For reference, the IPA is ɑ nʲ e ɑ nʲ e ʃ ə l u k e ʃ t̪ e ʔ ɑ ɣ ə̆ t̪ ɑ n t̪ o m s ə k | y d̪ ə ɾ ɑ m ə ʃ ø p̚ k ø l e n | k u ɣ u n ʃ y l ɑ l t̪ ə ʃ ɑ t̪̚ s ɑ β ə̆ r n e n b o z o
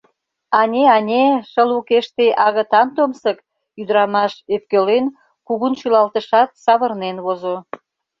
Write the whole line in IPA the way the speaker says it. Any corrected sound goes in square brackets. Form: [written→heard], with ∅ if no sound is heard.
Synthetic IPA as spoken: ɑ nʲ e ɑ nʲ e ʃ ə l u k e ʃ t̪ e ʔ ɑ ɣ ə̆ t̪ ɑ n t̪ o m s ə k | y d̪ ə ɾ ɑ m [ə→ɑ] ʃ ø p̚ k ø l e n | k u ɣ u n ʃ y l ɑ l t̪ ə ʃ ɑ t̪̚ s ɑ β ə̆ r n e n [b→β] o z o